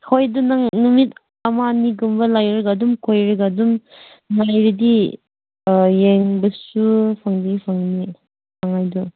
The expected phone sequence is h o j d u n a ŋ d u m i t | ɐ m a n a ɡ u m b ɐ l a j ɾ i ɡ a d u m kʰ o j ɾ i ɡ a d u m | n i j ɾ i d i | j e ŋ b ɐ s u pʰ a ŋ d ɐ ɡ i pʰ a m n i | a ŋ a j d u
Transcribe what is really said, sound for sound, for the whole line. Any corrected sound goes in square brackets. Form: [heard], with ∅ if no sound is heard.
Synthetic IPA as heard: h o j d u n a ŋ [n] u m i t | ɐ m a n [i] ɡ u m b ɐ l a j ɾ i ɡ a d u m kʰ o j ɾ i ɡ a d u m | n [a] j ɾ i d i | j e ŋ b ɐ s u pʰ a ŋ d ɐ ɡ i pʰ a [ŋ] n i | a ŋ a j d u